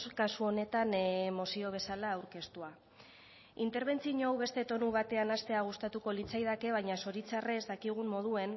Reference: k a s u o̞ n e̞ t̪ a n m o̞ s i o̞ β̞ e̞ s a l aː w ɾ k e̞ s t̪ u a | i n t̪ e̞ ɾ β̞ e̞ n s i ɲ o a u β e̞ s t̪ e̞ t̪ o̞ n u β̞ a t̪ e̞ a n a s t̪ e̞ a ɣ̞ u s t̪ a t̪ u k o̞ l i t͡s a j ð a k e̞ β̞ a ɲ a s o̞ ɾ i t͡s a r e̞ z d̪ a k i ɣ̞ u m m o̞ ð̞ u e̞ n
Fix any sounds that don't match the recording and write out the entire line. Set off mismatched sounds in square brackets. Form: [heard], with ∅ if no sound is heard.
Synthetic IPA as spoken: k a s u o̞ n e̞ t̪ a n m o̞ s i o̞ β̞ e̞ s a l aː w ɾ k e̞ s t̪ u a | i n t̪ e̞ ɾ β̞ e̞ n [t͡s] i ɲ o a [w] β e̞ s t̪ e̞ t̪ o̞ n u β̞ a t̪ e̞ a n a s t̪ e̞ a ɣ̞ u s t̪ a t̪ u k o̞ l i t͡s a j ð a k e̞ β̞ a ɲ a s o̞ ɾ i t͡s a r e̞ z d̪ a k i ɣ̞ u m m o̞ ð̞ u e̞ n